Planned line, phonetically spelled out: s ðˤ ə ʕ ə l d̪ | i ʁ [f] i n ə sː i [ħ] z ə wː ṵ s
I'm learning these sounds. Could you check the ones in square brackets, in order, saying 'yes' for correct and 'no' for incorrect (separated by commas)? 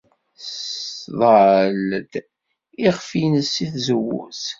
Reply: yes, no